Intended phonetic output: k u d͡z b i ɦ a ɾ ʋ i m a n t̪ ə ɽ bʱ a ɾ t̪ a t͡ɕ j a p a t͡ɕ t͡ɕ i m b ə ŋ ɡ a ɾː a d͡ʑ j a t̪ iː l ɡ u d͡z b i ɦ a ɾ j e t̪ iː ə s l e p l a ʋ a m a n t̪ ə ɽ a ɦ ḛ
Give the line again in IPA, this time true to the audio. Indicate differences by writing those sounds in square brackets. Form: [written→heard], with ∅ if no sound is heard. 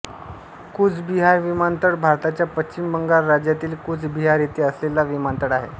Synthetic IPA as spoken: k u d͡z b i ɦ a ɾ ʋ i m a n t̪ ə ɽ bʱ a ɾ t̪ a t͡ɕ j a p [a→ə] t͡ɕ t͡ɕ i m b ə ŋ ɡ a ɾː a d͡ʑ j a t̪ iː l [ɡ→k] u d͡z b i ɦ a ɾ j e t̪ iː ə s l e [p→∅] l a ʋ [a→i] m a n t̪ ə ɽ a ɦ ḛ